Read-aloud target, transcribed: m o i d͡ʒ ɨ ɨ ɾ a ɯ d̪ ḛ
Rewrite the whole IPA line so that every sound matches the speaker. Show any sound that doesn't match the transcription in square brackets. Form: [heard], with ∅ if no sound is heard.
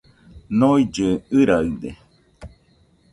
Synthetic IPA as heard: [n] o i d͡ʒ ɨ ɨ ɾ a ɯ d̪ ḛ